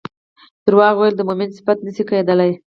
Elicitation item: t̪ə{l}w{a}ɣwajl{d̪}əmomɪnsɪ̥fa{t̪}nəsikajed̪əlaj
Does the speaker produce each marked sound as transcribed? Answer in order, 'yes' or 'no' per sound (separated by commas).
no, no, yes, yes